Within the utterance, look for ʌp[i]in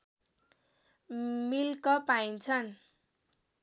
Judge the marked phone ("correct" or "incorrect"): incorrect